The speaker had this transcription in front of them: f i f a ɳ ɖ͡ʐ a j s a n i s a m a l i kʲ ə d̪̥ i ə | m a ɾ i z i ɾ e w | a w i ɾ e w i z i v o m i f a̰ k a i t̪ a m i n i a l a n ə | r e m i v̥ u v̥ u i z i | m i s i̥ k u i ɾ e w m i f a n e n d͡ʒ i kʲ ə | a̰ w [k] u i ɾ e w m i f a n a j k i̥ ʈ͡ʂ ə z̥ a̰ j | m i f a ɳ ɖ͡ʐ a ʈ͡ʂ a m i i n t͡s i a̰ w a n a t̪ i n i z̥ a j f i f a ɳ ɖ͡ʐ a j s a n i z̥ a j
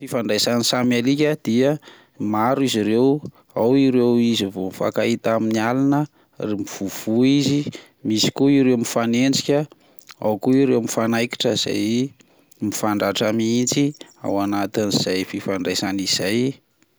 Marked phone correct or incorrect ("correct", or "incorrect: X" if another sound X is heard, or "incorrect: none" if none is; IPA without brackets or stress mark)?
correct